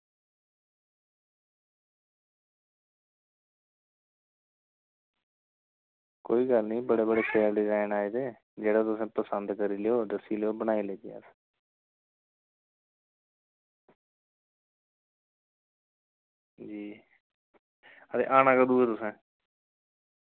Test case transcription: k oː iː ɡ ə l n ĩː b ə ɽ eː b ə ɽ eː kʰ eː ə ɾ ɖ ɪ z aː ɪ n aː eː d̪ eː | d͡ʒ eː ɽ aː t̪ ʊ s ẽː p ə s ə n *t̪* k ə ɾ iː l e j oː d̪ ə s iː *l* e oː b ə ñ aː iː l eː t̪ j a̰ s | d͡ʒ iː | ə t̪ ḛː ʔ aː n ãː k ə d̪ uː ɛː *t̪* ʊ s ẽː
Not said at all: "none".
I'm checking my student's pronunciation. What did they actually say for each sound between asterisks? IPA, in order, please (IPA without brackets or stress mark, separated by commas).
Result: d̪, l, t̪